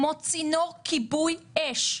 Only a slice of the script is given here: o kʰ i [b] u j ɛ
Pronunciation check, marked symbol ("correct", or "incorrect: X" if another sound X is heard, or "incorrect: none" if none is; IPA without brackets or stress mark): correct